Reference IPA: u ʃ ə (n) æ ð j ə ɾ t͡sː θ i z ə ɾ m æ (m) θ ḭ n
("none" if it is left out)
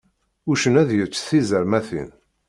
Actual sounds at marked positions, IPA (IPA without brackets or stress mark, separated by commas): n, none